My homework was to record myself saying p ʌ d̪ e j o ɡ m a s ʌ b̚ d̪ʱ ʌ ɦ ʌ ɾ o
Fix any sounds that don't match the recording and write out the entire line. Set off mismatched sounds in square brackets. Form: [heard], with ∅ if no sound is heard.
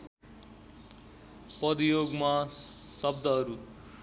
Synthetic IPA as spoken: p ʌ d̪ [i] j o ɡ m a s ʌ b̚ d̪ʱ ʌ ɦ ʌ ɾ [u]